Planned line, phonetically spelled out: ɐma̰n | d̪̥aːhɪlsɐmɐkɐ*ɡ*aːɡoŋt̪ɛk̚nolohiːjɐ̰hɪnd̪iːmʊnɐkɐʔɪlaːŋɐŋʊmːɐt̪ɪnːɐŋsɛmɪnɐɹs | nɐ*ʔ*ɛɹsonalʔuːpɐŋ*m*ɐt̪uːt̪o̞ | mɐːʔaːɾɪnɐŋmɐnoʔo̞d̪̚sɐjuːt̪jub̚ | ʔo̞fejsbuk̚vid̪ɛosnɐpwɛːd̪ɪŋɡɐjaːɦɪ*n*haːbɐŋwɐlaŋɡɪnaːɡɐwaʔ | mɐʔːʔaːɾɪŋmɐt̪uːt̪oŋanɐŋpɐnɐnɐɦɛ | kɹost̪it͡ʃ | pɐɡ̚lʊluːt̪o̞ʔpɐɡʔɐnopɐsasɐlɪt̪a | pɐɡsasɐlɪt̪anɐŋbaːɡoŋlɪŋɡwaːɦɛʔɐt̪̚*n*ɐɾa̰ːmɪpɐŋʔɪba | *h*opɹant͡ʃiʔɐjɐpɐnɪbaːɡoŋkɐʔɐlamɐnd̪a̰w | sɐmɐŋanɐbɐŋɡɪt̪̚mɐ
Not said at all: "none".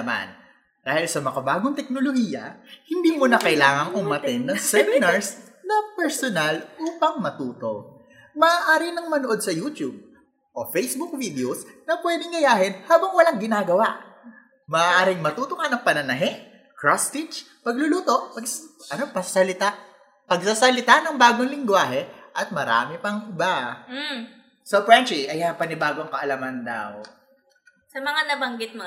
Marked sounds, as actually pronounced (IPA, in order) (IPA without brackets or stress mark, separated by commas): b, p, m, n, m, s